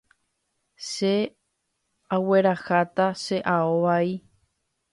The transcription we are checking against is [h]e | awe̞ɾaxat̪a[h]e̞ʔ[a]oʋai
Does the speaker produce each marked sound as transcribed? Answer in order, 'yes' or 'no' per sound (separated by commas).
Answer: no, no, yes